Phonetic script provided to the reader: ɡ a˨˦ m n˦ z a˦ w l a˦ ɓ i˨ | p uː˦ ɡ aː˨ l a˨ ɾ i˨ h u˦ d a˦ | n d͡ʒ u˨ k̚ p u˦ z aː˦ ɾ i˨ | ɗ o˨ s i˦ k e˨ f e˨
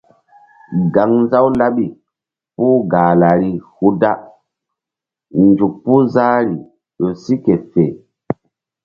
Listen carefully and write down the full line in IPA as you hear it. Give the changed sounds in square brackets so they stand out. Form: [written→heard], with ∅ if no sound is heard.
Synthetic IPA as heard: ɡ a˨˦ [m→ŋ] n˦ z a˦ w l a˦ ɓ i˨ | p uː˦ ɡ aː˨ l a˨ ɾ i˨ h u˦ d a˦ | n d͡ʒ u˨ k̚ p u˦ z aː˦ ɾ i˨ | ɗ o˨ s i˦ k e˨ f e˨

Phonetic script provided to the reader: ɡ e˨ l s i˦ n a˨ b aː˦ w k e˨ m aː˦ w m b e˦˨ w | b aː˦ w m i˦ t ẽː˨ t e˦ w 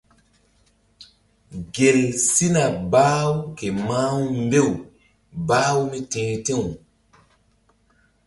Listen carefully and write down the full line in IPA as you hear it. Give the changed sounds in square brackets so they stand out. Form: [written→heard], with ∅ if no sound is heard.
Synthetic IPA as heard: ɡ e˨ l s i˦ n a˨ b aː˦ w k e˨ m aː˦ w m b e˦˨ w | b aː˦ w m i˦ t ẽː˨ t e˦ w

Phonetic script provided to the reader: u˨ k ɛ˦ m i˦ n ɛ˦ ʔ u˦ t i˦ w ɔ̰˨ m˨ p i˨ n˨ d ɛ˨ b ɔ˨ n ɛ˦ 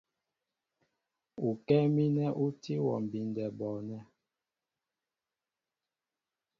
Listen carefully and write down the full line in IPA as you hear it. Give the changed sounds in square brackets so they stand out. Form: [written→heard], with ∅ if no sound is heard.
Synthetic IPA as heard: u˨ k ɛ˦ m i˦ n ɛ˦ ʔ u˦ t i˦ w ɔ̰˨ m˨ [p→b] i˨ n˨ d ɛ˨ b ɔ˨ n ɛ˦

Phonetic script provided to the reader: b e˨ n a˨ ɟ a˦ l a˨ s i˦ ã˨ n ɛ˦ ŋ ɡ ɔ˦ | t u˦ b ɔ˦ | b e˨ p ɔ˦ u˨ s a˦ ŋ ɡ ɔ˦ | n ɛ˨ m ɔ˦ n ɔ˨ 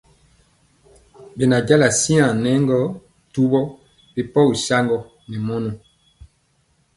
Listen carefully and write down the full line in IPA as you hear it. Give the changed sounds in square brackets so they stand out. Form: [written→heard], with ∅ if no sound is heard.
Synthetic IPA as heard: b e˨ n a˨ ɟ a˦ l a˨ s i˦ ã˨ n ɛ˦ ŋ ɡ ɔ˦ | t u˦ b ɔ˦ | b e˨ p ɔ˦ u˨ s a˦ ŋ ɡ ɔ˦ | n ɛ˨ m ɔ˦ n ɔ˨

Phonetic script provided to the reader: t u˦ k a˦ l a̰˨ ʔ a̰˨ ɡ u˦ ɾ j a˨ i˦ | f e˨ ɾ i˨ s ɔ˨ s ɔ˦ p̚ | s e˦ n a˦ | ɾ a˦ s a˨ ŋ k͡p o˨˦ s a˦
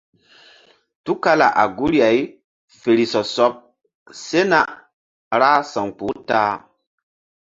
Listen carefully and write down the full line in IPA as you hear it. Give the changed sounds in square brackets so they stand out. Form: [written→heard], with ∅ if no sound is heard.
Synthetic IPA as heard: t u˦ k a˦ l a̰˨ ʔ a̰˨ ɡ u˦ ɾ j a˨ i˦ | f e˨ ɾ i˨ s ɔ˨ s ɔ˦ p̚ | s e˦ n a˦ | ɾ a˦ s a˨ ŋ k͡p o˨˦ [s→t] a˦

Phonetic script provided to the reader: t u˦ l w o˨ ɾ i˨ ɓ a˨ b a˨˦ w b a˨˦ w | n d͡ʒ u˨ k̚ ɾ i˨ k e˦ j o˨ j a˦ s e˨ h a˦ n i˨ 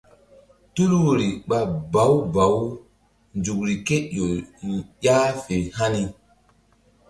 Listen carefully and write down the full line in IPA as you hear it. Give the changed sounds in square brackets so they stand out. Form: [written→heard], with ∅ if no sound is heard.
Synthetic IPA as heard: t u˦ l w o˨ ɾ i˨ ɓ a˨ b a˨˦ w b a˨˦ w | n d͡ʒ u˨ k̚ ɾ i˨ k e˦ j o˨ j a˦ [s→f] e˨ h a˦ n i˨

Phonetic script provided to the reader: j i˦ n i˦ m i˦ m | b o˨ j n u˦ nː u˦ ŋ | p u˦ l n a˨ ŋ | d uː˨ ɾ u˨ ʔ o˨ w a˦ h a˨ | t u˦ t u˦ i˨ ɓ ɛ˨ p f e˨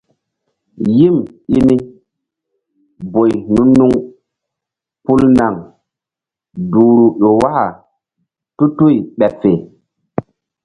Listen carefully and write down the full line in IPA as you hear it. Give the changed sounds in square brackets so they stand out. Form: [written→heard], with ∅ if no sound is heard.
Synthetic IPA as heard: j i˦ [n→m] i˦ [m→n] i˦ [m→∅] | b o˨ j n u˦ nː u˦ ŋ | p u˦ l n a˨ ŋ | d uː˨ ɾ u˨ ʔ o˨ w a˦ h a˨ | t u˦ t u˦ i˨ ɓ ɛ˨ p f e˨

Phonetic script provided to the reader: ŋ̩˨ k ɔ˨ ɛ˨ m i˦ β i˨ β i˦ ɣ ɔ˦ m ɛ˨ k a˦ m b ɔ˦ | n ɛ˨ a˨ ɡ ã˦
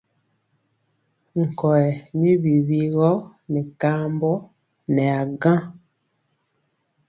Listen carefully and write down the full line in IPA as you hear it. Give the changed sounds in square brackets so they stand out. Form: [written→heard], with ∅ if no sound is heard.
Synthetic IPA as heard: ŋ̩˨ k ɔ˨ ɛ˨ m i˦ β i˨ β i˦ ɣ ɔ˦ [m→n] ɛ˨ k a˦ m b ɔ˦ | n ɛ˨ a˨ ɡ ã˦

